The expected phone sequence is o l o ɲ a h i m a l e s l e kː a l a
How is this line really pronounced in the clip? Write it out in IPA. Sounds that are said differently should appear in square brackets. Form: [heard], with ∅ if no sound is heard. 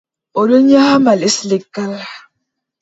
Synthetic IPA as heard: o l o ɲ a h [a] m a l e s l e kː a l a